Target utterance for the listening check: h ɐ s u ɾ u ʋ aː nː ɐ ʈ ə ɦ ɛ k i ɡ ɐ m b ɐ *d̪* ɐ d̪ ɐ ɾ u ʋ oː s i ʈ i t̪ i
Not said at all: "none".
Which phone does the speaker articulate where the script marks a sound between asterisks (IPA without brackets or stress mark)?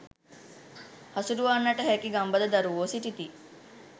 d̪